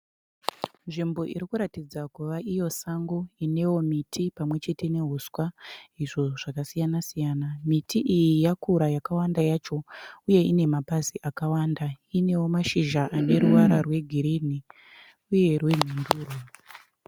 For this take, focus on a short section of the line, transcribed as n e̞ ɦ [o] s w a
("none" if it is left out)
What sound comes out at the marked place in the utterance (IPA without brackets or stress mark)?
u